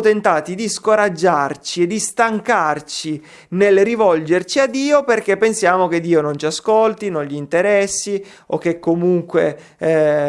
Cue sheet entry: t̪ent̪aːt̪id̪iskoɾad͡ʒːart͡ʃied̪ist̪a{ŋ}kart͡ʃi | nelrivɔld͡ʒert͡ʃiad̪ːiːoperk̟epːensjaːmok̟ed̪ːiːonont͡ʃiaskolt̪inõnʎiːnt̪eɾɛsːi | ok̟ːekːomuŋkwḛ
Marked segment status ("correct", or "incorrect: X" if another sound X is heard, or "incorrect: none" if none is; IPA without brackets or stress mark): correct